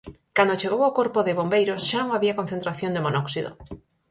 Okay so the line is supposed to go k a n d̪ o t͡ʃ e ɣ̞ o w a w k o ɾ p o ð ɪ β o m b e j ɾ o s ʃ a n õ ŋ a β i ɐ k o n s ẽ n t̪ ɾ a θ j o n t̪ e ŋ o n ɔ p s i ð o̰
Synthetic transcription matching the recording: k a n d̪ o t͡ʃ e ɣ̞ o w a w k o ɾ p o ð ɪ β o m b e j ɾ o s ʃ a n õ ŋ a β i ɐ k o n θ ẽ n t̪ ɾ a θ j o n d̪ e m o n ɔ k s i ð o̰